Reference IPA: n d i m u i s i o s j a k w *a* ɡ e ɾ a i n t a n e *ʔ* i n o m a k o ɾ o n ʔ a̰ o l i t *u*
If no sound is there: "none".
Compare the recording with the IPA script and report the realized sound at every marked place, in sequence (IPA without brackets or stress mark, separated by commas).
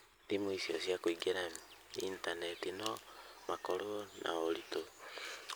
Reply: i, t, o